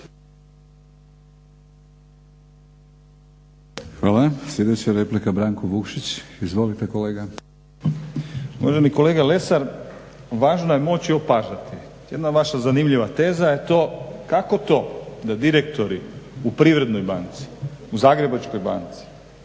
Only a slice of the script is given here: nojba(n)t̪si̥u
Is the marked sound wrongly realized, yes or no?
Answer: no